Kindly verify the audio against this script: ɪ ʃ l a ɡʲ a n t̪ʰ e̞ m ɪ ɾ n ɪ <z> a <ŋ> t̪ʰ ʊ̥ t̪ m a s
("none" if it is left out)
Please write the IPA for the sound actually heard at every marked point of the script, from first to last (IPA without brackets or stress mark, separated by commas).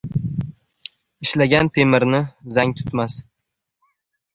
z, ŋ